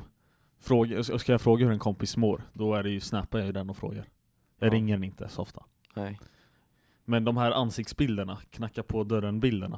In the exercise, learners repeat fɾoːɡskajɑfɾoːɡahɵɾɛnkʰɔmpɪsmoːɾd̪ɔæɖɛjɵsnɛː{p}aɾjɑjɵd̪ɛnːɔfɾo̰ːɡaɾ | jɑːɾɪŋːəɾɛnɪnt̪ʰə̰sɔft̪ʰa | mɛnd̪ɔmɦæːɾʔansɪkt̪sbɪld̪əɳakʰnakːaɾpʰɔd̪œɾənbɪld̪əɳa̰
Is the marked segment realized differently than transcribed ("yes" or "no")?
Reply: no